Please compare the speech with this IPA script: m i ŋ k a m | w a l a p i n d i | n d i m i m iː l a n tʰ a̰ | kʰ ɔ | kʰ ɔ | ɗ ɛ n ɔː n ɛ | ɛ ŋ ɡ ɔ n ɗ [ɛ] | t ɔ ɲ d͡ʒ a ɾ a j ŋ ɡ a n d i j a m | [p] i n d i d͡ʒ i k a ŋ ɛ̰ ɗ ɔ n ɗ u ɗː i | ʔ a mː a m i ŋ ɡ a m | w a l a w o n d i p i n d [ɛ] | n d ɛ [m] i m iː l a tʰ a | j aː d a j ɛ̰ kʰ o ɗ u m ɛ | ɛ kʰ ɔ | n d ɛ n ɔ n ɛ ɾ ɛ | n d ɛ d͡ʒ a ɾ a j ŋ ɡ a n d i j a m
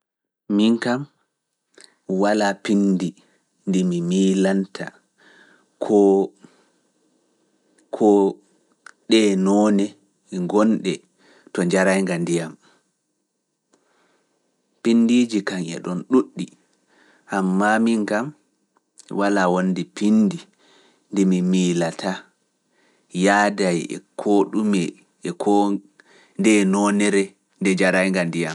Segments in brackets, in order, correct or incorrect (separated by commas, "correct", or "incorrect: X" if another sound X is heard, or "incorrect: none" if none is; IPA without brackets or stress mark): correct, correct, incorrect: i, correct